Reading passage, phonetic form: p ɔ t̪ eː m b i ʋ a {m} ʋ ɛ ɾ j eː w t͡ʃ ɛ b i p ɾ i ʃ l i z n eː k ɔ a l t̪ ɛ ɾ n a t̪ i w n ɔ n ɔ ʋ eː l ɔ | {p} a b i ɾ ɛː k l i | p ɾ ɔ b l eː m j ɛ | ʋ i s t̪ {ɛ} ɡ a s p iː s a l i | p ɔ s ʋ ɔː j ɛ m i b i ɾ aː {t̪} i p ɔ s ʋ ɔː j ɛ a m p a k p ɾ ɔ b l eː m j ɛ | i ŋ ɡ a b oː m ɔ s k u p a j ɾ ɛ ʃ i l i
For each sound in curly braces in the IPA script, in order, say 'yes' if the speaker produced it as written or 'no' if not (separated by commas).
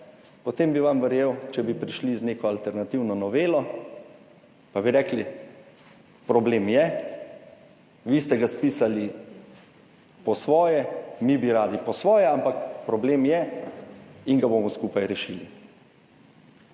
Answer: yes, yes, yes, no